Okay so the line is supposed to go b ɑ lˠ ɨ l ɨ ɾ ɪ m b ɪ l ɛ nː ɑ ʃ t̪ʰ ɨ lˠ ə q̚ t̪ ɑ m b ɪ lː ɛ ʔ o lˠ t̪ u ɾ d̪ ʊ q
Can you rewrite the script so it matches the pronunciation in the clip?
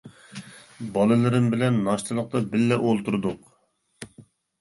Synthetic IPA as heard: b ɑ lˠ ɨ l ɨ ɾ ɪ m b ɪ l ɛ nː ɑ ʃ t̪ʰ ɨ lˠ ə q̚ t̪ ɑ b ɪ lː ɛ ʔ o lˠ t̪ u ɾ d̪ ʊ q